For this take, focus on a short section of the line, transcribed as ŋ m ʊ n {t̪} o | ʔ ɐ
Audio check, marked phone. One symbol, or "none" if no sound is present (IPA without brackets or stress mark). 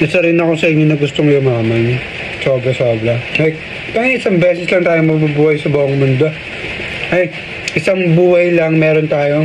d̪